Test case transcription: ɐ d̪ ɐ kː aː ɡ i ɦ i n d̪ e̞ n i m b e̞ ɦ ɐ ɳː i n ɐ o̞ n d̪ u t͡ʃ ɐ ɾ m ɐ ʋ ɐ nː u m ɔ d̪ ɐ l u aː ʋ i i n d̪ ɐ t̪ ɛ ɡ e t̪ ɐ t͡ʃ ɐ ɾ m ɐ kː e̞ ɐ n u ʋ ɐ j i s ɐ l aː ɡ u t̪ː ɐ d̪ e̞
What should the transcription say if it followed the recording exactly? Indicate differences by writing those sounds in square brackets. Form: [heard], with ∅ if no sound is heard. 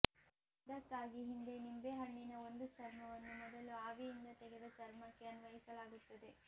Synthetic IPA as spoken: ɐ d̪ ɐ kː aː ɡ i ɦ i n d̪ e̞ n i m b e̞ ɦ ɐ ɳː i n ɐ o̞ n d̪ u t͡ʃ ɐ ɾ m ɐ ʋ ɐ nː u m ɔ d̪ ɐ l u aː ʋ i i n d̪ ɐ t̪ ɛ ɡ e [d̪] ɐ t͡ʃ ɐ ɾ m ɐ kː e̞ ɐ n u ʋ ɐ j i s ɐ l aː ɡ u t̪ː ɐ d̪ e̞